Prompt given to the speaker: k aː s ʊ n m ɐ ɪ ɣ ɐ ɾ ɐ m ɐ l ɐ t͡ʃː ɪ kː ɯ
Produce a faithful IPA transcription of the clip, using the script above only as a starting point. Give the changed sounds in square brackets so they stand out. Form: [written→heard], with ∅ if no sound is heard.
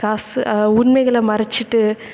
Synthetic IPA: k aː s ʊ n m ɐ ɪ ɣ ɐ [ɾ→ɭ] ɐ m ɐ [l→ɾ] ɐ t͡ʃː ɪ [kː→ʈː] ɯ